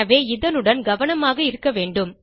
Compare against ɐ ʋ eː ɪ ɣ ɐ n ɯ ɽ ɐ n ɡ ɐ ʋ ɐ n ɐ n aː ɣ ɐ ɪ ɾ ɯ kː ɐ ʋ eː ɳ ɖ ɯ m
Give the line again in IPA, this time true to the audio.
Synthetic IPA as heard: ɐ ʋ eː ɪ ð ɐ n ɯ ɽ ɐ n ɡ ɐ ʋ ɐ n ɐ m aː ɣ ɐ ɪ ɾ ɯ kː ɐ ʋ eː ɳ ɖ ɯ m